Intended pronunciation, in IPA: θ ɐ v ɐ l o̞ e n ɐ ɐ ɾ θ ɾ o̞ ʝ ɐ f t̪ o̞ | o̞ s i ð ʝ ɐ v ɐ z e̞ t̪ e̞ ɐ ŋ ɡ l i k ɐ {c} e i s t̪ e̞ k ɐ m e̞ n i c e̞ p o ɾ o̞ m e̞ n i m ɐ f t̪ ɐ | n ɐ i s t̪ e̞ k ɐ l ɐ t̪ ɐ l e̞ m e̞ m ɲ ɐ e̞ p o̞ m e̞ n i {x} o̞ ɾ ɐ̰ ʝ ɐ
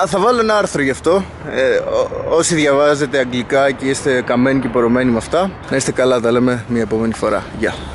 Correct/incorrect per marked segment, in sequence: correct, incorrect: f

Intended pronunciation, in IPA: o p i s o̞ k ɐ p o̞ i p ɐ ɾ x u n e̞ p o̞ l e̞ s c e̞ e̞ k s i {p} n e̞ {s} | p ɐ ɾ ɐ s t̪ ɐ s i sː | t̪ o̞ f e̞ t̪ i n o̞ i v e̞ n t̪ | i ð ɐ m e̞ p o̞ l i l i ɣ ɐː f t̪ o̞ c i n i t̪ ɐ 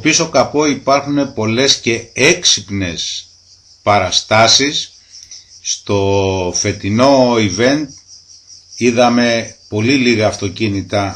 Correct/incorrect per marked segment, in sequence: correct, correct

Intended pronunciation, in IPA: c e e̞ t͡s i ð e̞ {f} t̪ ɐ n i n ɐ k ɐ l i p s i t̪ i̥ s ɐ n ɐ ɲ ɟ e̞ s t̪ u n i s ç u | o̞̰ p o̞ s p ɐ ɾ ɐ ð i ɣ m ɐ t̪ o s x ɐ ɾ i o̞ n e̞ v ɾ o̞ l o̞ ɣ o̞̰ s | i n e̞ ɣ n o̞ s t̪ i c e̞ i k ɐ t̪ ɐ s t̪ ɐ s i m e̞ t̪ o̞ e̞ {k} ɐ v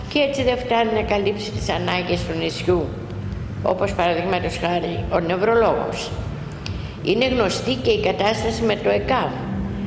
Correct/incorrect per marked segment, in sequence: correct, correct

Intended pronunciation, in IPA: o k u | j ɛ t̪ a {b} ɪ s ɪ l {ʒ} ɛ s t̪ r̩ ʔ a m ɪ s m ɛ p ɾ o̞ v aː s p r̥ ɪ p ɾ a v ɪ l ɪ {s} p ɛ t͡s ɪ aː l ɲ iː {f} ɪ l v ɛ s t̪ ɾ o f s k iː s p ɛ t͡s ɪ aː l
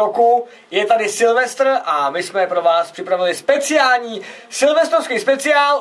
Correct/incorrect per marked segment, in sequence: incorrect: d, incorrect: v, correct, incorrect: s

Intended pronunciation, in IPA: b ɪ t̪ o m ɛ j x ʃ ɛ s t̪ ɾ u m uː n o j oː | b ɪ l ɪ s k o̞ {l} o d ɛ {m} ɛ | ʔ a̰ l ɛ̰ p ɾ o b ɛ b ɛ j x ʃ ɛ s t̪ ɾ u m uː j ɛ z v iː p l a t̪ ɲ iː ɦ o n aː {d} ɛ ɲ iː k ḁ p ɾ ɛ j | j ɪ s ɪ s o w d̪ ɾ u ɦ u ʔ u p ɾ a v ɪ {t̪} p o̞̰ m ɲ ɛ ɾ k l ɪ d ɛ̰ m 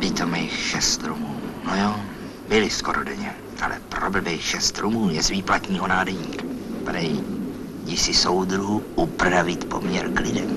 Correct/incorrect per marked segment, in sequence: incorrect: ɾ, incorrect: ɲ, correct, correct

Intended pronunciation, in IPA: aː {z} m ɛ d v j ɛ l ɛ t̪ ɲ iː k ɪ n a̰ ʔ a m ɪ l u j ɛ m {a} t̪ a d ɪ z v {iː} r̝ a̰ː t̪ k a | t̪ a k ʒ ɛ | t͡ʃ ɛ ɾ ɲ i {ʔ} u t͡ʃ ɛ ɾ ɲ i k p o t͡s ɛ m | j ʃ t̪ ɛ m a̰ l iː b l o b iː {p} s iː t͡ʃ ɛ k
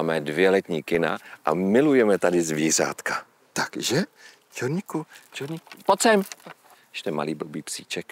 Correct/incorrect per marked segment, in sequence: incorrect: none, incorrect: ɛ, correct, incorrect: k, correct

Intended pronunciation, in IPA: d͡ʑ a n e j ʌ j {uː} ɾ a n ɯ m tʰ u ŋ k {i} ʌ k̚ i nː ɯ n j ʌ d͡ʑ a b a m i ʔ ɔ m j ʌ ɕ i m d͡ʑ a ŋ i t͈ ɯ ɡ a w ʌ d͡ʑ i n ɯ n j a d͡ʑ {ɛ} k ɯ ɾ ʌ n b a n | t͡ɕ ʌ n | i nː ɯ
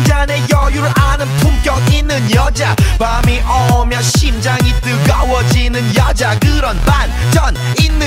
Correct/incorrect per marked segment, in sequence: incorrect: u, incorrect: j, incorrect: a

